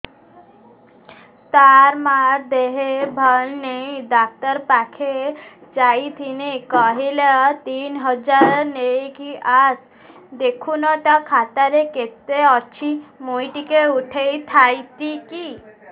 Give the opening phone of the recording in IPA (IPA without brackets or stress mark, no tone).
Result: t̪